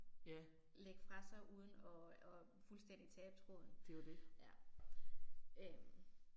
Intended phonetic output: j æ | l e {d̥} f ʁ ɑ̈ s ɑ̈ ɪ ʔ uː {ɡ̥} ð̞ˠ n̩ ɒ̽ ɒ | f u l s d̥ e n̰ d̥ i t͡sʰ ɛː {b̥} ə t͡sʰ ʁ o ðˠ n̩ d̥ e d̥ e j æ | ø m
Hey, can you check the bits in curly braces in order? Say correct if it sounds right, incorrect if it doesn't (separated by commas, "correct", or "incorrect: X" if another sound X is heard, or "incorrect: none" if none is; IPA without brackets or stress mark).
incorrect: ɡ̥, incorrect: none, correct